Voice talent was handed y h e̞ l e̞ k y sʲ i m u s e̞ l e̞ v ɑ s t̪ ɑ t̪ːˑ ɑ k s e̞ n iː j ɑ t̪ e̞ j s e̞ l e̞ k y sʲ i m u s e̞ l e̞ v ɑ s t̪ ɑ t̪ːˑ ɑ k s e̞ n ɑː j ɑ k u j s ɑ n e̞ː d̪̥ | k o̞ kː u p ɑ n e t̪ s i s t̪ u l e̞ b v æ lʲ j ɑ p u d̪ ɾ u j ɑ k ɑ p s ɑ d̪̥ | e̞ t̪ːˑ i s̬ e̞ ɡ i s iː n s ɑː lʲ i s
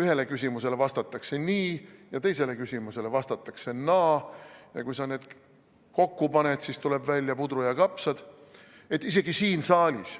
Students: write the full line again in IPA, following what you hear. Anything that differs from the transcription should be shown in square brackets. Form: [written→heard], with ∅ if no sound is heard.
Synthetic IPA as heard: y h e̞ l e̞ k y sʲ i m u s e̞ l e̞ v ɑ s t̪ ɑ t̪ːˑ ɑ k s e̞ n iː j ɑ t̪ e̞ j s e̞ l e̞ k y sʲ i m u s e̞ l e̞ v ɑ s t̪ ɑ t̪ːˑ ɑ k s e̞ n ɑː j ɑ k u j s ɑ n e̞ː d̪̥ | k o̞ kː u p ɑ n e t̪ s i s t̪ u l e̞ b v æ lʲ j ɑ p u d̪ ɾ u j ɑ k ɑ p s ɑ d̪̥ | e̞ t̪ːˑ i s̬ e̞ ɡ i s iː n s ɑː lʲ i s